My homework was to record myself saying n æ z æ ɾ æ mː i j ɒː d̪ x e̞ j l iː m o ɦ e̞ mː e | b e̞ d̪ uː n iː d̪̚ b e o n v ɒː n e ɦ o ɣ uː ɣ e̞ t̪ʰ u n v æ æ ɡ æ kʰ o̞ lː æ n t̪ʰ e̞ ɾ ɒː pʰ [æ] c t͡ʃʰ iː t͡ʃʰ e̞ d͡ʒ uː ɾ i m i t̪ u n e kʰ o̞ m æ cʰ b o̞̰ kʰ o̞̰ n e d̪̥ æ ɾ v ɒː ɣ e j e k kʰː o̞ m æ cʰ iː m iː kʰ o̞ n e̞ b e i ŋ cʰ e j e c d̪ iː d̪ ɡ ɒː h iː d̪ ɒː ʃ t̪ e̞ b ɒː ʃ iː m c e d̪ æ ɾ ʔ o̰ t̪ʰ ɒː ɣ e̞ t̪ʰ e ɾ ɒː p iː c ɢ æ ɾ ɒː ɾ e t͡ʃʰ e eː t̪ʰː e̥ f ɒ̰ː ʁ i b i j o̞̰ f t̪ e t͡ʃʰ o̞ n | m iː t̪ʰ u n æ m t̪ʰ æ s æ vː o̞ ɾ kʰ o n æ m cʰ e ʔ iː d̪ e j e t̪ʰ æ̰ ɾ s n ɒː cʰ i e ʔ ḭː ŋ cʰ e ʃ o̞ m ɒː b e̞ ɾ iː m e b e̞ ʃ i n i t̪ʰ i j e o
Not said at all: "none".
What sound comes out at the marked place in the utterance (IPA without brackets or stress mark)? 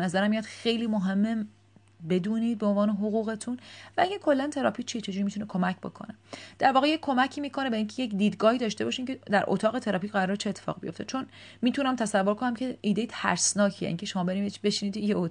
i